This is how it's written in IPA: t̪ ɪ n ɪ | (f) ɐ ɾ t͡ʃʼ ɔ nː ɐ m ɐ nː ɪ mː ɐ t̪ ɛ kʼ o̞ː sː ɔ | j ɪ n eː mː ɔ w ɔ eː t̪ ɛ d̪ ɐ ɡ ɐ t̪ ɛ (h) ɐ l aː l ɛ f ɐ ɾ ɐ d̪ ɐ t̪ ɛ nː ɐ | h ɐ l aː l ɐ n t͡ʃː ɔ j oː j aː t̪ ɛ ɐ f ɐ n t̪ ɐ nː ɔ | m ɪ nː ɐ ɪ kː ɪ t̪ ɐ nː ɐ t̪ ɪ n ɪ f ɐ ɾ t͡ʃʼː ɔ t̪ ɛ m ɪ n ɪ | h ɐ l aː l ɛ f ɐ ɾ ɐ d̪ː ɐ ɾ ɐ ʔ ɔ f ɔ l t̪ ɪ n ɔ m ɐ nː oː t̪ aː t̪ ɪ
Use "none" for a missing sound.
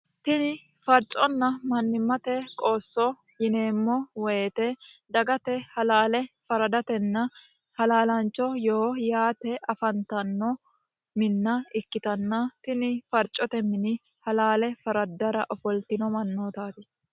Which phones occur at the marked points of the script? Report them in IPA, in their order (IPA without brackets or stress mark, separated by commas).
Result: f, h